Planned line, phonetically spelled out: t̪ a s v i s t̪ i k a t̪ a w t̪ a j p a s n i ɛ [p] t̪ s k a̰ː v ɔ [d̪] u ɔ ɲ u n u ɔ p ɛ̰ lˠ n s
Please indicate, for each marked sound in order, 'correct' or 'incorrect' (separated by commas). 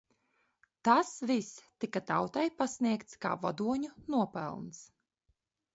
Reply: incorrect, correct